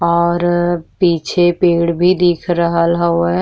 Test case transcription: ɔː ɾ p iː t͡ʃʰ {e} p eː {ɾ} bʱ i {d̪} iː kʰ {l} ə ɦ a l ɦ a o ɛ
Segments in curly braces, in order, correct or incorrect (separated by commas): correct, incorrect, correct, incorrect